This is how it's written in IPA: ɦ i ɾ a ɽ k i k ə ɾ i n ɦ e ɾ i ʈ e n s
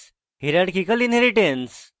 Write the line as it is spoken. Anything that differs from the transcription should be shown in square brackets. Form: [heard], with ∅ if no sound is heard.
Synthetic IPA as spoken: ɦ i ɾ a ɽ k i k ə [l] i n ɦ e ɾ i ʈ e n s

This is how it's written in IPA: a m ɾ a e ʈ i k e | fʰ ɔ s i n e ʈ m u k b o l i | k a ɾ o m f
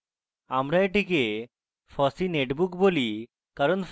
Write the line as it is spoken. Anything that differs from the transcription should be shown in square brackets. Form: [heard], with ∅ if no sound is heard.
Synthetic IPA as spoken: a m ɾ a e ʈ i k e | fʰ ɔ s i n e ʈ [b] u k b o l i | k a ɾ o [n] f

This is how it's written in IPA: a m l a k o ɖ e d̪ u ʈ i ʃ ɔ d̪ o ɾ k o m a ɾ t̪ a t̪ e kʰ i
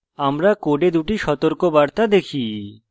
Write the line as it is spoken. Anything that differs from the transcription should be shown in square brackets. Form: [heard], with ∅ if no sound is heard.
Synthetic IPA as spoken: a m [ɾ] a k o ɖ e d̪ u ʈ i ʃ ɔ [t̪] o ɾ k o [b] a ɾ t̪ a [d̪] e kʰ i

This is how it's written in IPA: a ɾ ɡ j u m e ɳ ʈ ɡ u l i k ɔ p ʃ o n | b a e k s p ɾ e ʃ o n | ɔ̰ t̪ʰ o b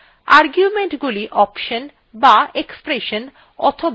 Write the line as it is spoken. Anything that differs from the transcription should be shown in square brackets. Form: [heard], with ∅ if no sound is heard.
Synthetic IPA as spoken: a ɾ ɡ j u m e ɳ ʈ ɡ u l i [ʔ] ɔ p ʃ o n | b a e k s p ɾ e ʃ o n | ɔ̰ t̪ʰ o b

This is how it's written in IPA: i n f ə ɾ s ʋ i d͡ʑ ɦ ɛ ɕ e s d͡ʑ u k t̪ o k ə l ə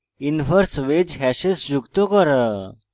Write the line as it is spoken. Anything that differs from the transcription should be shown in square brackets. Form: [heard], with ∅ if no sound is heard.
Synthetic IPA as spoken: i n f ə ɾ s ʋ [e] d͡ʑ ɦ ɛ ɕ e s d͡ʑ u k t̪ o k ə [ɾ] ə

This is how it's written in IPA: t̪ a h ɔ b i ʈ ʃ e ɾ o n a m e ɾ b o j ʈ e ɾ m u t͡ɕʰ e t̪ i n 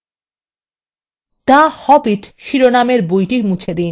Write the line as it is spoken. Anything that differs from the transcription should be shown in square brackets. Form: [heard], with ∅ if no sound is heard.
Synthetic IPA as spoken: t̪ a h ɔ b i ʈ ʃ [i] ɾ o n a m e ɾ b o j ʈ [i] ɾ m u t͡ɕʰ e [d̪] i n

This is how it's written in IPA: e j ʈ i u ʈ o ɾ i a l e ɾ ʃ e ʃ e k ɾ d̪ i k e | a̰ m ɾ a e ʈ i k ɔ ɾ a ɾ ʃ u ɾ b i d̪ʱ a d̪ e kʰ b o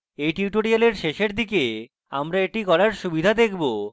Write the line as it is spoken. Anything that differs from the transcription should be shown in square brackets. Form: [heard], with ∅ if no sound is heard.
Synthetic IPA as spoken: e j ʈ i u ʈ o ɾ i a l e ɾ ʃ e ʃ e [∅] ɾ d̪ i k e | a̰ m ɾ a e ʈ i k ɔ ɾ a ɾ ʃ u [∅] b i d̪ʱ a d̪ e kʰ b o

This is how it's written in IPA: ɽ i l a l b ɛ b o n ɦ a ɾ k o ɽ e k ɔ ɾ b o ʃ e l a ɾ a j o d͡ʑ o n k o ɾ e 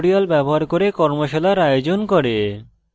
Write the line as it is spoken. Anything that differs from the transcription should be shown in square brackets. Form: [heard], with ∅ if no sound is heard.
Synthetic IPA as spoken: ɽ i [∅] a l b ɛ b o [∅] ɦ a ɾ k o [ɾ] e k ɔ ɾ [m] o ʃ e l a ɾ a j o d͡ʑ o n k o ɾ e

